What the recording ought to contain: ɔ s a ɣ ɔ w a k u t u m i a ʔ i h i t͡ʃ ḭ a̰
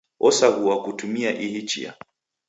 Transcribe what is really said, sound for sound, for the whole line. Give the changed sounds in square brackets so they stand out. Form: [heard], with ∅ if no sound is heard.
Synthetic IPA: ɔ s a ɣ [u] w a k u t u m i a ʔ i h i t͡ʃ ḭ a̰